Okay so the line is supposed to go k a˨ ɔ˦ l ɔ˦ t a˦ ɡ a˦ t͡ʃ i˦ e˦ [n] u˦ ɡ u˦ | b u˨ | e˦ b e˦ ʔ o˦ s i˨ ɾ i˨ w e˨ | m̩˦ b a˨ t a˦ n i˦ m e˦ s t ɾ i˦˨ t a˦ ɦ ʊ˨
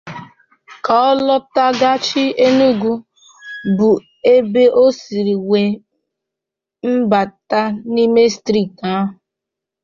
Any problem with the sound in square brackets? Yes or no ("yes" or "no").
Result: no